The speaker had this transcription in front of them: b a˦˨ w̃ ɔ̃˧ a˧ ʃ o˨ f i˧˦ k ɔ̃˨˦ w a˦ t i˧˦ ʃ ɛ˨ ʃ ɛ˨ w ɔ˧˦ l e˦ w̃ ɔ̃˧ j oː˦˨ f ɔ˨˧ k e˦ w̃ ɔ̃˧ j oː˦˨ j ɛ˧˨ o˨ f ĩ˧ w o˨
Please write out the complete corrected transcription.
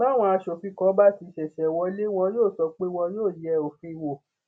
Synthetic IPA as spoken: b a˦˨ w̃ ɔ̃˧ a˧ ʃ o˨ f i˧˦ k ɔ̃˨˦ b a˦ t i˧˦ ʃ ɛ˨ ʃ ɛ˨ w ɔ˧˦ l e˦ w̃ ɔ̃˧ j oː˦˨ s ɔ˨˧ k͡p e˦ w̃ ɔ̃˧ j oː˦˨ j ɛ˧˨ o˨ f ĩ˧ w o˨